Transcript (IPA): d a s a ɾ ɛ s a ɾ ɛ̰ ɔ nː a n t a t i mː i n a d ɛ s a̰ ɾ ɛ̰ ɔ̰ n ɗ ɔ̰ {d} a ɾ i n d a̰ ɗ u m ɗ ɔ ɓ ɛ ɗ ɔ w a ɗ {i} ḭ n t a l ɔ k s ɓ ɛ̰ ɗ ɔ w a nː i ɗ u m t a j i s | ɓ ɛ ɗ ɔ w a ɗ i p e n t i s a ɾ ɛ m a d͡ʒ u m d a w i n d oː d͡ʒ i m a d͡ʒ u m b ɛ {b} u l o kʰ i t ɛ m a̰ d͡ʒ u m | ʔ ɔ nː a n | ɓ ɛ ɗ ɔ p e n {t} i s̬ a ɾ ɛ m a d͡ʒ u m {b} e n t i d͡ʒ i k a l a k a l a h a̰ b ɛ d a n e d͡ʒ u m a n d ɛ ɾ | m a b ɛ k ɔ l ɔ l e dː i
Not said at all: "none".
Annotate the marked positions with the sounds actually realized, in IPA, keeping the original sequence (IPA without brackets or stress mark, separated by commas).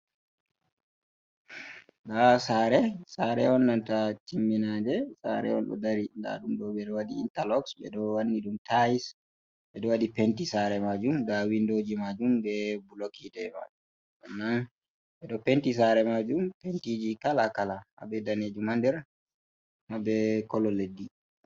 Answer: d, i, b, t, p